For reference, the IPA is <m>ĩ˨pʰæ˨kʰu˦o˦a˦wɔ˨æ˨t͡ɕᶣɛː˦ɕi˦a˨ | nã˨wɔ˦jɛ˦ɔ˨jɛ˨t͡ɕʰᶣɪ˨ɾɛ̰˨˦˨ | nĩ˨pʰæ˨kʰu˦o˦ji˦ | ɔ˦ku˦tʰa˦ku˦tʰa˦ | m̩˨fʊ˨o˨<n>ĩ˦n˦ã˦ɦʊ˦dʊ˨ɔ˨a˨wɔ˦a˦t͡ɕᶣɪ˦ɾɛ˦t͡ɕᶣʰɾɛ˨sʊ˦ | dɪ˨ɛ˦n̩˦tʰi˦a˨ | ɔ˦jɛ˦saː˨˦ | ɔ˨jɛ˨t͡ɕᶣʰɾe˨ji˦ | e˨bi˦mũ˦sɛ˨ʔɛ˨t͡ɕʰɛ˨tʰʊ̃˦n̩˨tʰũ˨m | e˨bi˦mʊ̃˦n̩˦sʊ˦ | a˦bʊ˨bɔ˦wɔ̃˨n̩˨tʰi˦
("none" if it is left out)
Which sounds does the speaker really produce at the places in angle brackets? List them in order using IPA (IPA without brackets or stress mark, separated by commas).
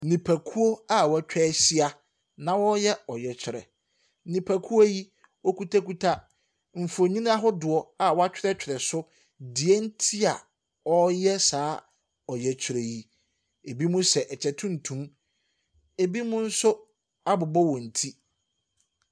n, ɲ